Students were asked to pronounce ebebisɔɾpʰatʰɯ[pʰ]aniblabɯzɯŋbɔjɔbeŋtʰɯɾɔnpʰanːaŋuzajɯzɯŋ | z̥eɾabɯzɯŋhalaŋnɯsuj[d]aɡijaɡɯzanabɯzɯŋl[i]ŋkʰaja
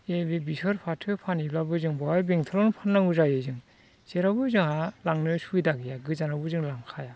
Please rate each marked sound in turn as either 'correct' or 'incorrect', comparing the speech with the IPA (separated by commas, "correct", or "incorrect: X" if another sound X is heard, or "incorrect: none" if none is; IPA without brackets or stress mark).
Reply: correct, correct, incorrect: a